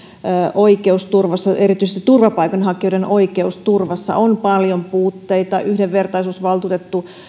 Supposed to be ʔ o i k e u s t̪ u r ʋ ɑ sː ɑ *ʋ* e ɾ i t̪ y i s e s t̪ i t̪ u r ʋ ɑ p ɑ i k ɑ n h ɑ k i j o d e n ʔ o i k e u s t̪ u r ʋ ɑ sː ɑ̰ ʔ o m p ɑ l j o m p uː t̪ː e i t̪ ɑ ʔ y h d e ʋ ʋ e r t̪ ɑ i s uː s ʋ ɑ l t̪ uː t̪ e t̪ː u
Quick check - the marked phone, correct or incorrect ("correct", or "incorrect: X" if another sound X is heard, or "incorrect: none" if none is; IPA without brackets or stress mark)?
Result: incorrect: none